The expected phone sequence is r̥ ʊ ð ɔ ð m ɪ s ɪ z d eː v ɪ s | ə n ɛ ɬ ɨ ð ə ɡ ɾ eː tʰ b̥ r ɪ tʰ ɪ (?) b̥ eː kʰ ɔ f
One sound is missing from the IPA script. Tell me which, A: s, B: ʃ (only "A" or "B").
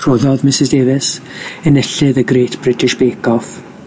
B